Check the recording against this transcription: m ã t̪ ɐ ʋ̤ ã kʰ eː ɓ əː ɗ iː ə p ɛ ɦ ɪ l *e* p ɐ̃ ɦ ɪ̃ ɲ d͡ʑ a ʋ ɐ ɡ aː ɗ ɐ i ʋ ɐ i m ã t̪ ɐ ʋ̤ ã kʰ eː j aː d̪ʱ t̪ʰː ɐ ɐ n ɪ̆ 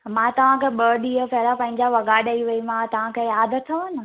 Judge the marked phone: incorrect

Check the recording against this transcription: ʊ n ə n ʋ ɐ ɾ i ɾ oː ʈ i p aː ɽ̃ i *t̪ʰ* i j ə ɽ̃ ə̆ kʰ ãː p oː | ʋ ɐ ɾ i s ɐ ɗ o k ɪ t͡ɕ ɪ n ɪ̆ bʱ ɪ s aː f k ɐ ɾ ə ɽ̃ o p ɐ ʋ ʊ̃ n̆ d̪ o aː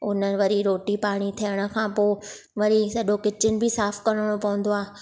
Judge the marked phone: correct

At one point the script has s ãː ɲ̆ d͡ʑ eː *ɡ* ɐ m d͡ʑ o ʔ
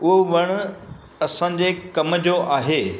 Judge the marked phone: incorrect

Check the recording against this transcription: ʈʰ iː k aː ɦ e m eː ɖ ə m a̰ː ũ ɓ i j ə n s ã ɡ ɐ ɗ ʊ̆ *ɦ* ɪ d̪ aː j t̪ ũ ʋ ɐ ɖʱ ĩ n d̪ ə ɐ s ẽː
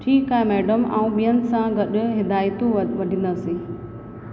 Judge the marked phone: correct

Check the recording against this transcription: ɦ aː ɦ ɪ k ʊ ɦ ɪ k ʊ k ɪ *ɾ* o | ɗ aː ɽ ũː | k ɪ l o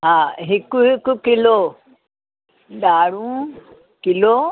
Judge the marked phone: incorrect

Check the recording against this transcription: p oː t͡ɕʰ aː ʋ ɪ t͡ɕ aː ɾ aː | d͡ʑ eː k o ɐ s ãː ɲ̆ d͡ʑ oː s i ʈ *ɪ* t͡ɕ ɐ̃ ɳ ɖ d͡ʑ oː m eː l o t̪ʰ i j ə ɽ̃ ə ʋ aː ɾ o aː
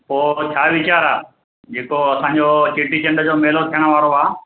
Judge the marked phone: incorrect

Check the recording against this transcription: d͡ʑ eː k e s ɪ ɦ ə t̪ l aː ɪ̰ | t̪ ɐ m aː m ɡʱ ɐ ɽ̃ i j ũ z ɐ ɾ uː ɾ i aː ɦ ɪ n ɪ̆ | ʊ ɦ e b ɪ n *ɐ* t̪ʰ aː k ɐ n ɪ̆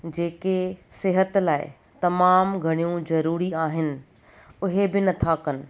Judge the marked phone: correct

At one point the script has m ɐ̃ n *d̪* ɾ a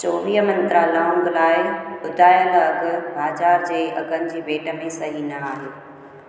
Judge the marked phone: incorrect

